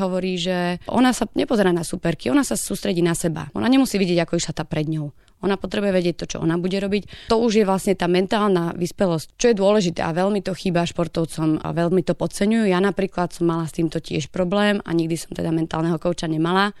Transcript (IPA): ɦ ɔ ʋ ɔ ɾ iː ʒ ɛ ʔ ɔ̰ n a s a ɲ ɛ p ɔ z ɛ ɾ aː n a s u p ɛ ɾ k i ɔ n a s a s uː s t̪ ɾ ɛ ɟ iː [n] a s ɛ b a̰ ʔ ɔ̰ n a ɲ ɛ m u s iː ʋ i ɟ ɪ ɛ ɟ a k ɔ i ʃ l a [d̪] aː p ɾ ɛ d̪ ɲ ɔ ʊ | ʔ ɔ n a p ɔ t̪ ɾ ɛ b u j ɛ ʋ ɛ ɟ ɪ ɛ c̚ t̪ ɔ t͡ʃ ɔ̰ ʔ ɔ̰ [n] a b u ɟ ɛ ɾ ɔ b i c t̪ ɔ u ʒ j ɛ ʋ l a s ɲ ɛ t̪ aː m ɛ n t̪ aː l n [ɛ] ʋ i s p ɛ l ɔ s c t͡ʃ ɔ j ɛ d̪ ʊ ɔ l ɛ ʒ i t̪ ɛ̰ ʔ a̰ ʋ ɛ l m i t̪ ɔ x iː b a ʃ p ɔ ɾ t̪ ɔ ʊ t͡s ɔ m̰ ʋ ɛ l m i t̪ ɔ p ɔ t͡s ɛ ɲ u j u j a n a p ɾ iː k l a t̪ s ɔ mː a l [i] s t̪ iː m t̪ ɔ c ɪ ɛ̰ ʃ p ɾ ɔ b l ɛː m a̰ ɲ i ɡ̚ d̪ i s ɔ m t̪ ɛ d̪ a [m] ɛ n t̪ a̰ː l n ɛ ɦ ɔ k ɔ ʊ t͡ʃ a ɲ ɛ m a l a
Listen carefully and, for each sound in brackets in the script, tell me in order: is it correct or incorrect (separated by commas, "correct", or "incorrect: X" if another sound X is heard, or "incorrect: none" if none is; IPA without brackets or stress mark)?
correct, incorrect: t̪, correct, incorrect: a, incorrect: a, correct